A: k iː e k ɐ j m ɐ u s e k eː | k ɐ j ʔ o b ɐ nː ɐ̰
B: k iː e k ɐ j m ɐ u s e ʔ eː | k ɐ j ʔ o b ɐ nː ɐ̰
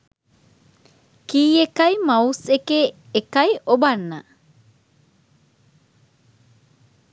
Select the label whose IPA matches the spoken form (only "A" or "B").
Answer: A